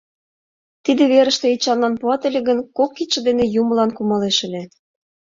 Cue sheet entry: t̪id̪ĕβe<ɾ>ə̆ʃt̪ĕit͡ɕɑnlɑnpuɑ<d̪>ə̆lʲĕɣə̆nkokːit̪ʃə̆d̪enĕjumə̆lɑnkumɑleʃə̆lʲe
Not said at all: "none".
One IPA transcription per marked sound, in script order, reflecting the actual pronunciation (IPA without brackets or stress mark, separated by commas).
ɾ, t̪